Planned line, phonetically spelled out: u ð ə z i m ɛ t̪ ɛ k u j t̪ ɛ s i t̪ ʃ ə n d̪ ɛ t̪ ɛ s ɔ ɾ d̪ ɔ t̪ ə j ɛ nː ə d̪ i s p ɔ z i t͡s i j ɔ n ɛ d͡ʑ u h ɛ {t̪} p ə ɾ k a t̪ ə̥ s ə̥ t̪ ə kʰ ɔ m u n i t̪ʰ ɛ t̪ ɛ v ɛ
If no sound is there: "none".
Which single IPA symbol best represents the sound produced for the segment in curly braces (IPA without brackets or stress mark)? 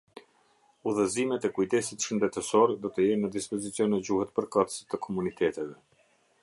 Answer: t̪